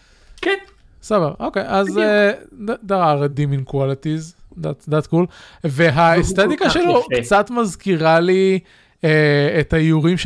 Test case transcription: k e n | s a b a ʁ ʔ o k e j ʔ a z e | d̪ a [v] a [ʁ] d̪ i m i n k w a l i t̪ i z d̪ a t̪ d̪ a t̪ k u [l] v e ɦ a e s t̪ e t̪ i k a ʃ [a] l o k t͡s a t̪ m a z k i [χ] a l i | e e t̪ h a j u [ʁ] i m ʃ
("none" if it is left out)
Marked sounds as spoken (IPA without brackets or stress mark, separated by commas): ʁ, ʁ, l, e, ʁ, ʁ